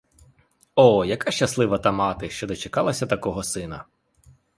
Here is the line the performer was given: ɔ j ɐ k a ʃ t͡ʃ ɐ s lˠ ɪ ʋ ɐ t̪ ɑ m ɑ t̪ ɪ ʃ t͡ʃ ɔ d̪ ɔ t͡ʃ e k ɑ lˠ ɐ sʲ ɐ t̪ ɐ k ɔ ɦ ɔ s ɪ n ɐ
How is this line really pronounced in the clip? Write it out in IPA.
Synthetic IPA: ɔ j ɐ k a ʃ t͡ʃ ɐ s lˠ ɪ ʋ ɐ t̪ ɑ m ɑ t̪ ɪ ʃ t͡ʃ ɔ d̪ ɔ t͡ʃ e k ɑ lˠ ɐ sʲ ɐ t̪ ɐ k ɔ ɦ ɔ s ɪ n ɐ

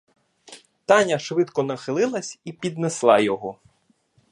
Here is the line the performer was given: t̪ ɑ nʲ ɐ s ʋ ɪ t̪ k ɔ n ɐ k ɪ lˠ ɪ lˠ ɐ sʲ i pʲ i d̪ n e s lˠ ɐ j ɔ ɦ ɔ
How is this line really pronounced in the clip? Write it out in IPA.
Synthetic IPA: t̪ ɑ nʲ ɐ ʃ ʋ ɪ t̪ k ɔ n ɐ x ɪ lˠ ɪ lˠ ɐ sʲ i pʲ i d̪ n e s lˠ ɑ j ɔ ɦ ɔ

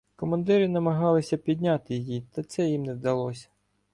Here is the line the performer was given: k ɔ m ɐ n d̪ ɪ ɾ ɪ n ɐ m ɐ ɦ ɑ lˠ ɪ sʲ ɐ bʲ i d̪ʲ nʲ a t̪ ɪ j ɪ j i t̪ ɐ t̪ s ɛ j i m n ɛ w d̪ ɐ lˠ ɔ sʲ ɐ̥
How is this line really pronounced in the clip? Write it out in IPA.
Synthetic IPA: k ɔ m ɐ n d̪ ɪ ɾ ɪ n ɐ m ɐ ɦ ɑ lˠ ɪ sʲ ɐ pʲ i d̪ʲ nʲ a t̪ ɪ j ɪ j i t̪ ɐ t̪ s ɛ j i m n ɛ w d̪ ɐ lˠ ɔ sʲ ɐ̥

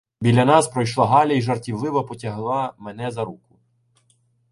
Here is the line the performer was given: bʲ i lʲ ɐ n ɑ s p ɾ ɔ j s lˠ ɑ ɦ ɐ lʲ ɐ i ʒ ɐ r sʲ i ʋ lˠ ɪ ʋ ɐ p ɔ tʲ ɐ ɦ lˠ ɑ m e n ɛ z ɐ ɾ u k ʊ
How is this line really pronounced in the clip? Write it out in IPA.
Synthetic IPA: bʲ i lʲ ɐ n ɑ s p ɾ ɔ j ʃ lˠ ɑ ɦ ɑ lʲ ɐ i ʒ ɐ r tʲ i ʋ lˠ ɪ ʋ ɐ p ɔ tʲ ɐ ɦ lˠ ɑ m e n ɛ z ɐ ɾ u k ʊ

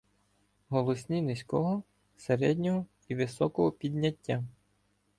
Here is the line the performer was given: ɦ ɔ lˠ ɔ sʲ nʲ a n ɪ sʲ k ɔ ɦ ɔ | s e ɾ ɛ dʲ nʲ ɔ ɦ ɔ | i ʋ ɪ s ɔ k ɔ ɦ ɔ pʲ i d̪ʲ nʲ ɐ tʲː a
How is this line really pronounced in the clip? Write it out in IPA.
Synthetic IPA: ɦ ɔ lˠ ɔ sʲ nʲ i n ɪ sʲ k ɔ ɦ ɔ | s e ɾ ɛ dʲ nʲ ɔ ɦ ɔ | i ʋ ɪ s ɔ k ɔ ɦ ɔ pʲ i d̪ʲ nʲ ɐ tʲː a

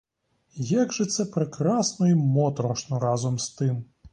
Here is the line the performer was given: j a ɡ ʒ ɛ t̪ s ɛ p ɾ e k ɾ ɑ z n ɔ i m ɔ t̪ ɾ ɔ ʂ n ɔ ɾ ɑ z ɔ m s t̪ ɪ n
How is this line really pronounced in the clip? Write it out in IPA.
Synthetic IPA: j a ɡ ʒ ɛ t̪ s ɛ p ɾ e k ɾ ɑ s n ɔ i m ɔ t̪ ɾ ɔ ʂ n ɔ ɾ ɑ z ɔ m s t̪ ɪ m

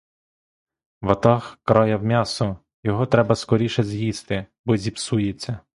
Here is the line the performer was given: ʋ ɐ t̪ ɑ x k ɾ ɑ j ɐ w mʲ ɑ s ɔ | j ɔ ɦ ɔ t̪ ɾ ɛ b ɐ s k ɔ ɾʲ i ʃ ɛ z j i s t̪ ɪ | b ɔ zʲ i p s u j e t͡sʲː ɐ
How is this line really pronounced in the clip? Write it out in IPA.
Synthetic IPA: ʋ ɐ t̪ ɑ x k ɾ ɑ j ɐ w mʲ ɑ s ɔ | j ɔ ɦ ɔ t̪ ɾ ɛ b ɐ s k ɔ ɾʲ i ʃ ɛ z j i s t̪ ɪ | b ɔ zʲ i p s u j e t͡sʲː ɐ

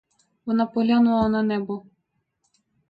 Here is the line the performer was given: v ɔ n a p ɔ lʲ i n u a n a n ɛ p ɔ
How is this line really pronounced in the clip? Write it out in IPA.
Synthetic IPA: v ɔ n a p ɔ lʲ a n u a n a n ɛ b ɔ

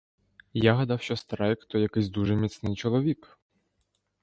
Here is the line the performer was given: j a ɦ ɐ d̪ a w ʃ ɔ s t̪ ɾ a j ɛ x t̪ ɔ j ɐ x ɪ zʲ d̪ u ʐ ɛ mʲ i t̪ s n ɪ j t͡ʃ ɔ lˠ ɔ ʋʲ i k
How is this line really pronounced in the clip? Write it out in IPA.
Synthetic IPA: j a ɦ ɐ d̪ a w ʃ ɔ s t̪ ɾ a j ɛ k t̪ ɔ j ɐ k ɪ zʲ d̪ u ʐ ɛ mʲ i t̪ s n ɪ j t͡ʃ ɔ lˠ ɔ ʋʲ i k

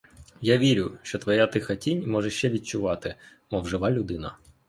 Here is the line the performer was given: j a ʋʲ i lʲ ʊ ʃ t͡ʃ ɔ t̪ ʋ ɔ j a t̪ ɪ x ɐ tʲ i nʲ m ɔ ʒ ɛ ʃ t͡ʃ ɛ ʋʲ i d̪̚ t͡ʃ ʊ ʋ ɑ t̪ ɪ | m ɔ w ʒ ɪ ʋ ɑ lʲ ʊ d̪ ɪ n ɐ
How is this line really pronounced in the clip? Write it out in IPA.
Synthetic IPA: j a ʋʲ i ɾʲ ʊ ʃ t͡ʃ ɔ t̪ ʋ ɔ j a t̪ ɪ x ɐ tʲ i nʲ m ɔ ʒ ɛ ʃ t͡ʃ ɛ ʋʲ i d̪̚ t͡ʃ ʊ ʋ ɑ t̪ ɪ | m ɔ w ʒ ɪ ʋ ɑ lʲ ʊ d̪ ɪ n ɐ

